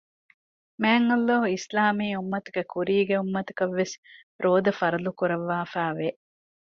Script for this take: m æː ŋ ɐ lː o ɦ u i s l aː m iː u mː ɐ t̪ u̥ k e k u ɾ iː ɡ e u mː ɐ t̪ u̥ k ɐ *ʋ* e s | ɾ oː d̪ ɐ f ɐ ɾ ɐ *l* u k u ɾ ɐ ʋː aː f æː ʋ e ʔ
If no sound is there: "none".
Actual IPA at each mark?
ʋː, l

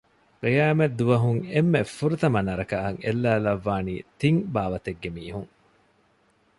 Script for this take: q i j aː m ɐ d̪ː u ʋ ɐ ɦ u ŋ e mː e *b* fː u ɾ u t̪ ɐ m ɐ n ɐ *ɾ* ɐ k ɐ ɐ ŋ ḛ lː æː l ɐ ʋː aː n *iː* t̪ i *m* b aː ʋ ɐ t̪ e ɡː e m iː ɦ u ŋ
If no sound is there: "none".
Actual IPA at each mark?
none, ɾ, iː, ŋ

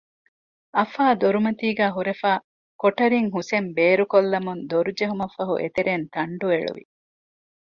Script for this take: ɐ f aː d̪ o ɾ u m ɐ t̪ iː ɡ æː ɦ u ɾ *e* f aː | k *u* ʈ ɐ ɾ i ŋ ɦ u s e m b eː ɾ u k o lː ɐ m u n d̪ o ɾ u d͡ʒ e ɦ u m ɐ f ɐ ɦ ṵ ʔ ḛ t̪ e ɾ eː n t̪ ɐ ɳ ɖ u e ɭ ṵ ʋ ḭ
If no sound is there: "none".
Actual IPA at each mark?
e, o

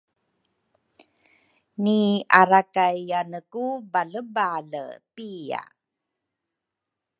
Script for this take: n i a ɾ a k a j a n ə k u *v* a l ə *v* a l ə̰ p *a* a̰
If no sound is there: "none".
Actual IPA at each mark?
b, b, i

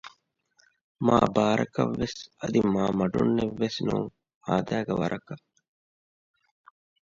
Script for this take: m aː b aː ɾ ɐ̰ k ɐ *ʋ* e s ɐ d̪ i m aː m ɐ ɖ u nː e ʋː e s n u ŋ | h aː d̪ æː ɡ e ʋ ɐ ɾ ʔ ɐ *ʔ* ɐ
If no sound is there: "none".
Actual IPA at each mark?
ʋː, k

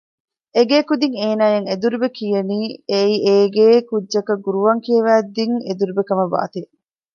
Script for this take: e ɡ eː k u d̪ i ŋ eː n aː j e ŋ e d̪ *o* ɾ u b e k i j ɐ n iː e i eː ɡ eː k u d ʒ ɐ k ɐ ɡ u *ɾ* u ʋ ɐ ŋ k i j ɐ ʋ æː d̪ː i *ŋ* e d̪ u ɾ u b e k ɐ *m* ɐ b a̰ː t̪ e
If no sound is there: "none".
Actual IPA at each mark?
u, ɾ, ŋ, m

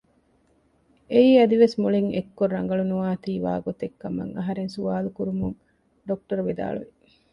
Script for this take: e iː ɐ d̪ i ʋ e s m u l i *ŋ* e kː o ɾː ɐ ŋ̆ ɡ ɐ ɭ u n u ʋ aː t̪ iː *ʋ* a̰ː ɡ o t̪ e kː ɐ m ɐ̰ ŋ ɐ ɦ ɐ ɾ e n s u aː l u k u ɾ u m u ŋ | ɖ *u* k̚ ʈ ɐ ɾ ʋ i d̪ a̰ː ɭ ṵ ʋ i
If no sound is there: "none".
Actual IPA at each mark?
ŋ, ʋ, o

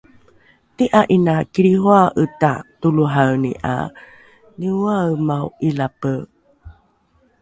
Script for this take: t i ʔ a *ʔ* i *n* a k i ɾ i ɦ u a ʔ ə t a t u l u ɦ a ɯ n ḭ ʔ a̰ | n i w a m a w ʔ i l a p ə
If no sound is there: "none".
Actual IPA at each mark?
ʔ, n

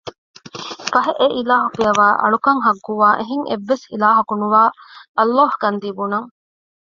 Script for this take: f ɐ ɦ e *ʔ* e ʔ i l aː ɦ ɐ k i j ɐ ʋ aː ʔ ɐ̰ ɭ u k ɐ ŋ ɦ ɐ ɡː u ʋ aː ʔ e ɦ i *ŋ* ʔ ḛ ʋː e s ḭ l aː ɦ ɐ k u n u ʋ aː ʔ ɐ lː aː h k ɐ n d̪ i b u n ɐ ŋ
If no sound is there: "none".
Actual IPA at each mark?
ʔ, ŋ

